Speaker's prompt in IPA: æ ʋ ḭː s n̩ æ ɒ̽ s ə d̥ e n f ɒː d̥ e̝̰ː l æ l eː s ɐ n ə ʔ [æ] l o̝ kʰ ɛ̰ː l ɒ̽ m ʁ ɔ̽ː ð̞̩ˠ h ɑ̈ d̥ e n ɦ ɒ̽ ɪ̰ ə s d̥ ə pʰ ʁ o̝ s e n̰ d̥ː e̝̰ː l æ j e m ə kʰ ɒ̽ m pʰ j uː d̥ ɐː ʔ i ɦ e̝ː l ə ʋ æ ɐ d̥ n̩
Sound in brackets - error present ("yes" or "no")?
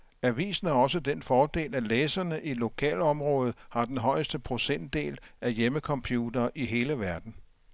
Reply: yes